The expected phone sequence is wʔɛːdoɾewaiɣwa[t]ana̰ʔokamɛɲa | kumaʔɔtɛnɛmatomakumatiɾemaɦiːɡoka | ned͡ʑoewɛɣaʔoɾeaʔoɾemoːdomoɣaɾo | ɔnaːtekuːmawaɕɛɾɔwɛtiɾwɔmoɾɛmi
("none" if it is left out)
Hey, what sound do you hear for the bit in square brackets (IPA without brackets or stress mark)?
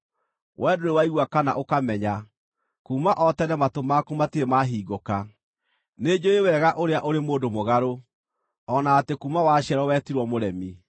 k